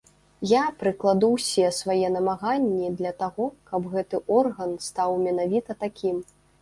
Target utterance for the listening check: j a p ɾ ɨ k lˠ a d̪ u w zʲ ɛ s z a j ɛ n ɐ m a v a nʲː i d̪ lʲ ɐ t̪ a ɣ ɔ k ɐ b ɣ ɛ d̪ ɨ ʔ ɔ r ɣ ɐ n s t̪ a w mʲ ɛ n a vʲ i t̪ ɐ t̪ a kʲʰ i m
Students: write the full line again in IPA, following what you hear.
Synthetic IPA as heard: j a p ɾ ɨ k lˠ a d̪ u w sʲ ɛ s v a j ɛ n ɐ m a ɣ a nʲː i d̪ lʲ ɐ t̪ a ɣ ɔ k ɐ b ɣ ɛ t̪ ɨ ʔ ɔ r ɣ ɐ n s t̪ a w mʲ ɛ n a vʲ i t̪ ɐ t̪ a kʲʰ i m